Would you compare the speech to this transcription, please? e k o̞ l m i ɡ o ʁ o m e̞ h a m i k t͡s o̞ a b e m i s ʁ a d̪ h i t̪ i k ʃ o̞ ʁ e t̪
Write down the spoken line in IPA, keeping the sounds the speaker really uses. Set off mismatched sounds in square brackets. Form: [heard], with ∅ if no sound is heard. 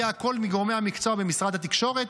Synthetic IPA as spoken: [a] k o̞ l m i ɡ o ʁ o m e̞ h a m i k t͡s o̞ a b e m i s ʁ a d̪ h [a] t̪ i k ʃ o̞ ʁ e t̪